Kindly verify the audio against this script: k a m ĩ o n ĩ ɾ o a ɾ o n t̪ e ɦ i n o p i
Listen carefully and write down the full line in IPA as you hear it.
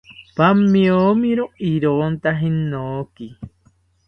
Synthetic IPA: p a m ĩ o m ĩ ɾ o i ɾ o n t̪ a ɦ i n o k i